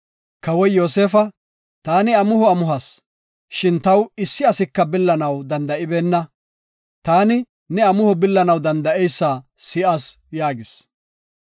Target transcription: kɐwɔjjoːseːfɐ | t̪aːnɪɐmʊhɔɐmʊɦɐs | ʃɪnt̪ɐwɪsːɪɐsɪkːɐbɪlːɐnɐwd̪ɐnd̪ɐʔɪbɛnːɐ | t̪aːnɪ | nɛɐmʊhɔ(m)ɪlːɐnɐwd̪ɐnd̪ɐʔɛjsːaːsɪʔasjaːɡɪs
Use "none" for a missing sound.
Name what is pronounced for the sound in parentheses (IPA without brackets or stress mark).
b